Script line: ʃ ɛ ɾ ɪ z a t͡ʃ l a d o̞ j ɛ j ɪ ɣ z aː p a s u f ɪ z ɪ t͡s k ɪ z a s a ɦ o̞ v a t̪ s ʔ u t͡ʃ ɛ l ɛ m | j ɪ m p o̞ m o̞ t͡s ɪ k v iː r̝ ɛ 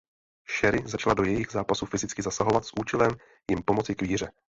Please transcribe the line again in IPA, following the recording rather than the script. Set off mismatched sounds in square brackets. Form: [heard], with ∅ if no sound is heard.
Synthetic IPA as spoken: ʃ ɛ ɾ ɪ z a t͡ʃ l a d o̞ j ɛ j ɪ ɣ z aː p a s u f ɪ z ɪ t͡s k ɪ z a s a ɦ o̞ v a t̪ s ʔ [uː] t͡ʃ ɛ l ɛ m | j ɪ m p o̞ m o̞ t͡s ɪ k v iː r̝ ɛ

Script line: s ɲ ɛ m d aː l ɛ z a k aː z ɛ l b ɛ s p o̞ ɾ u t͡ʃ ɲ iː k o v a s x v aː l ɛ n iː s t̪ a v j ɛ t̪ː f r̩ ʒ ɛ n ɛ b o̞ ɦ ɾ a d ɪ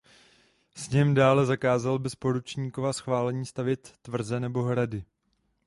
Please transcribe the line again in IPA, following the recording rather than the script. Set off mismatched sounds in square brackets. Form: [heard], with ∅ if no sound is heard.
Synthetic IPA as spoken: s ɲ ɛ m d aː l ɛ z a k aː z [a] l b ɛ s p o̞ ɾ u t͡ʃ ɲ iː k o v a s x v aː l ɛ [ɲ] iː s t̪ a v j ɛ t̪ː [v] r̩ [z] ɛ n ɛ b o̞ ɦ ɾ a d ɪ

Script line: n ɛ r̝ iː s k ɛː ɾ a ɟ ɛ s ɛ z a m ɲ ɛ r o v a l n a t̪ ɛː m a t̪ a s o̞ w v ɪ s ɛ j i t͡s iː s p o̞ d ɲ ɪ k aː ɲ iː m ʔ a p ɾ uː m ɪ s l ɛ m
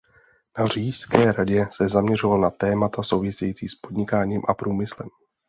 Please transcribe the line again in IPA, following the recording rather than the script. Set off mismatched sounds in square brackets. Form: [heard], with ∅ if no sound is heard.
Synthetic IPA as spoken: n [a] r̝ iː s k ɛː ɾ a ɟ ɛ s ɛ z a m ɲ ɛ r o v a l n a t̪ ɛː m a t̪ a s o̞ w v ɪ s ɛ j i t͡s iː s p o̞ d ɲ ɪ k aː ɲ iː m ʔ a p ɾ uː m ɪ s l ɛ m

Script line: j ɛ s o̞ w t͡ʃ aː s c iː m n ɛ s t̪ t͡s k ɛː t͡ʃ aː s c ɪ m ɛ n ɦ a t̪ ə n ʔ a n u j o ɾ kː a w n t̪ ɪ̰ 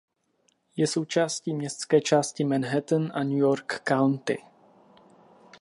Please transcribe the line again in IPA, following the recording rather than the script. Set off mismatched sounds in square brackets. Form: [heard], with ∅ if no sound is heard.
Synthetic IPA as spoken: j ɛ s o̞ w t͡ʃ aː s c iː m [ɲ] ɛ s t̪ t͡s k ɛː t͡ʃ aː s c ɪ m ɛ n ɦ [ɛ] t̪ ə n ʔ a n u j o ɾ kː a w n t̪ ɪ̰

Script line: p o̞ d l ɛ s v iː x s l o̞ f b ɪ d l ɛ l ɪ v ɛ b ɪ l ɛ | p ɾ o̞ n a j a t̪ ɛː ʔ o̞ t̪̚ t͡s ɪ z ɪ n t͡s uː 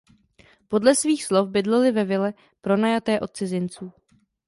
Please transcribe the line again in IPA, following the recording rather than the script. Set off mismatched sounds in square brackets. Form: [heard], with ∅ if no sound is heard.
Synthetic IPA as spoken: p o̞ d l ɛ s v iː x s l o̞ f b ɪ d l ɛ l ɪ v ɛ [v] ɪ l ɛ | p ɾ o̞ n a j a t̪ ɛː ʔ o̞ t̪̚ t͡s ɪ z ɪ n t͡s uː

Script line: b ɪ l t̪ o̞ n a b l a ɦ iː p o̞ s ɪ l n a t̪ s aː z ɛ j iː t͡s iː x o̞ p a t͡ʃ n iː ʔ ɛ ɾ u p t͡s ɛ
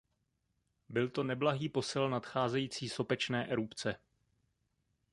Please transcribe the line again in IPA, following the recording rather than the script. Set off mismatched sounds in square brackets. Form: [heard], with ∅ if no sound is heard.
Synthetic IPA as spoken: b ɪ l t̪ o̞ n [ɛ] b l a ɦ iː p o̞ s ɪ l n a t̪ [x] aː z ɛ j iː t͡s iː [s] o̞ p [ɛ] t͡ʃ n [ɛː] ʔ ɛ ɾ u p t͡s ɛ

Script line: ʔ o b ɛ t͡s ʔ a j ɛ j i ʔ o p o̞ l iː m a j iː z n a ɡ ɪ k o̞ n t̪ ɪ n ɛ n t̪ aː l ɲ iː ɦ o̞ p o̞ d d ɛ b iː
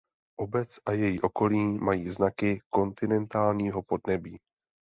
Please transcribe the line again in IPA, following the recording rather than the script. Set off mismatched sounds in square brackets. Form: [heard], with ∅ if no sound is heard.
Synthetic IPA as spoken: ʔ o b ɛ t͡s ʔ a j ɛ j i ʔ o [k] o̞ l iː m a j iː z n a [k] ɪ k o̞ n t̪ ɪ n ɛ n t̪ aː l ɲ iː ɦ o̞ p o̞ d [n] ɛ b iː

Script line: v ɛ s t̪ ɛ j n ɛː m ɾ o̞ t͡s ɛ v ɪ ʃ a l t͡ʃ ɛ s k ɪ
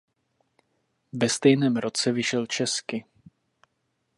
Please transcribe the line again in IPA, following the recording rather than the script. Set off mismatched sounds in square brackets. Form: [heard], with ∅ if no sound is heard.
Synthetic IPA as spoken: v ɛ s t̪ ɛ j n ɛː m ɾ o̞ t͡s ɛ v ɪ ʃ [ɛ] l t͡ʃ ɛ s k ɪ

